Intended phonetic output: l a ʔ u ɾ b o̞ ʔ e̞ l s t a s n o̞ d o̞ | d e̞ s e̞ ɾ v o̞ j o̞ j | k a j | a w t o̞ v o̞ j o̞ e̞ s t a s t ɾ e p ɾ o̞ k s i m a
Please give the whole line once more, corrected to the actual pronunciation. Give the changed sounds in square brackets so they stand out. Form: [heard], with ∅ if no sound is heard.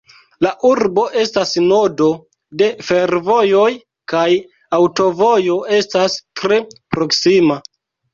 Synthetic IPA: l a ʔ u ɾ b o̞ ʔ e̞ [∅] s t a s n o̞ d o̞ | d e̞ [f] e̞ ɾ v o̞ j o̞ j | k a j | a w t o̞ v o̞ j o̞ e̞ s t a s t ɾ e p ɾ o̞ k s i m a